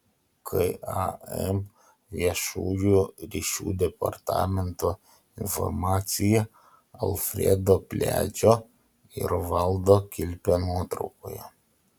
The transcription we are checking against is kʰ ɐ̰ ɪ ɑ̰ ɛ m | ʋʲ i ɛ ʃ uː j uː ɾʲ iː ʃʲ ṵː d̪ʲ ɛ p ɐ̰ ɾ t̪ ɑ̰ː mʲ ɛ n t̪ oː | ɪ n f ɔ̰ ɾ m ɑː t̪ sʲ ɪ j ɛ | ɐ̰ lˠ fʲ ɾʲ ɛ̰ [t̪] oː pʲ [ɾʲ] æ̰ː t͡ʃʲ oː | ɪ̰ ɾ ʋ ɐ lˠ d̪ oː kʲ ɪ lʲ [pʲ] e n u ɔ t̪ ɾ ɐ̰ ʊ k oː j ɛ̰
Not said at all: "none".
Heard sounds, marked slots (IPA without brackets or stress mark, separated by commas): d̪, lʲ, pʲ